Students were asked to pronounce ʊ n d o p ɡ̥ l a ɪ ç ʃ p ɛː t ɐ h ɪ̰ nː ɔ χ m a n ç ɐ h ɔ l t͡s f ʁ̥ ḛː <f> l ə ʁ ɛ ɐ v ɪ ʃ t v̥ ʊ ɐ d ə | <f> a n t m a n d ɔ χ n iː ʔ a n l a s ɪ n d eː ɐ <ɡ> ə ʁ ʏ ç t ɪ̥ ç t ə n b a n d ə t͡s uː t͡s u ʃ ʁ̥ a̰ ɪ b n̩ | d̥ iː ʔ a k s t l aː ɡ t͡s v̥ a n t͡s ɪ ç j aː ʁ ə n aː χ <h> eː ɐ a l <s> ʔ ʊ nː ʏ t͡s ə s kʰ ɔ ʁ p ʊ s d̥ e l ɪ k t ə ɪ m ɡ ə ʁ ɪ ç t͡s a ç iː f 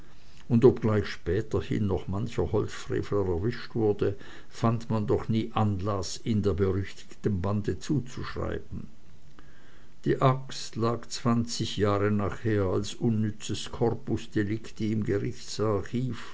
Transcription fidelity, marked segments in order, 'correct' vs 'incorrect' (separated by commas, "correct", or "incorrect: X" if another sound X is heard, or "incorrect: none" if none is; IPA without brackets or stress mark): correct, correct, incorrect: b, correct, correct